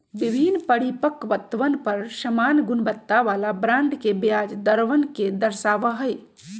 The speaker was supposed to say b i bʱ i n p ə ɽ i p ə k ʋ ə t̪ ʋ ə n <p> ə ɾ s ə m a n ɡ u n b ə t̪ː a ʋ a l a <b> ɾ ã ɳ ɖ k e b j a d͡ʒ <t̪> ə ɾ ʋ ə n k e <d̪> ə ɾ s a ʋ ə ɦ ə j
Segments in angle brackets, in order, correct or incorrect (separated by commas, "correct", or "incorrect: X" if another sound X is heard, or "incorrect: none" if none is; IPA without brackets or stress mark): correct, correct, incorrect: d̪, correct